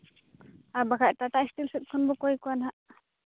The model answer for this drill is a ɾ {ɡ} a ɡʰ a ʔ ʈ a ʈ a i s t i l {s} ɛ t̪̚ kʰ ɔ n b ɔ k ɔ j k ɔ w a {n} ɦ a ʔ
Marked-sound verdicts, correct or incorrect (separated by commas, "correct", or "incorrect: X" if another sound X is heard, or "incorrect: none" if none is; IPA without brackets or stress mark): incorrect: b, correct, correct